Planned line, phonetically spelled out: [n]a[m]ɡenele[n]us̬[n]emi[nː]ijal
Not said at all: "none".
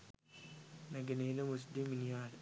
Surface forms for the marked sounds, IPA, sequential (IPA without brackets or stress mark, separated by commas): n, none, m, d, n